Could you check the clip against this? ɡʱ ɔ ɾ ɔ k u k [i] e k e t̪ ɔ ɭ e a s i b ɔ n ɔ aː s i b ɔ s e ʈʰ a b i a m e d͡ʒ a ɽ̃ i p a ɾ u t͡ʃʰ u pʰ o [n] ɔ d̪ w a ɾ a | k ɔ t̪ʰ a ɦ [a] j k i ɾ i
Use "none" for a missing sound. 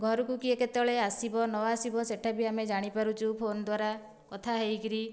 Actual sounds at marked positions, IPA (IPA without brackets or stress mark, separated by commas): i, n, e